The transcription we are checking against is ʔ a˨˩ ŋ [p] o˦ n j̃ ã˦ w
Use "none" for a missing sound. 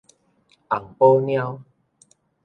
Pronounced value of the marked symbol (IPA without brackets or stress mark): p